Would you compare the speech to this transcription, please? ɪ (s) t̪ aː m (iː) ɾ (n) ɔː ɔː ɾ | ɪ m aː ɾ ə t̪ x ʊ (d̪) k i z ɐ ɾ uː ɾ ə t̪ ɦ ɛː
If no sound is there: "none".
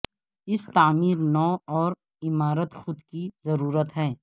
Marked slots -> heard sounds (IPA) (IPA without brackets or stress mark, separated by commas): s, iː, n, d̪